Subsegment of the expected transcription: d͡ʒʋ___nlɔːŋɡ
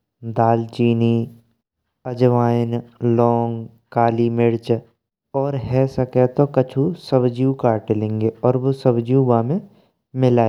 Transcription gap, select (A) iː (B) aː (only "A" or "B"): B